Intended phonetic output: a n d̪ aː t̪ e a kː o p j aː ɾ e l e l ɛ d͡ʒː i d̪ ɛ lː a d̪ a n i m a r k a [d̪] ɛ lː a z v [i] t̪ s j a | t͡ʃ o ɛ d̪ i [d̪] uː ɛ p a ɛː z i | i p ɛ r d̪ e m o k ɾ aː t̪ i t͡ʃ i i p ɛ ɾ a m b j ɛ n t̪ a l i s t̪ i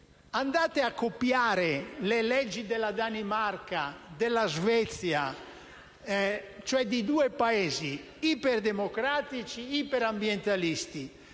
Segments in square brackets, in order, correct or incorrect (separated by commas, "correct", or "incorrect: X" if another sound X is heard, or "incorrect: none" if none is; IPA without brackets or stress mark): correct, incorrect: ɛ, correct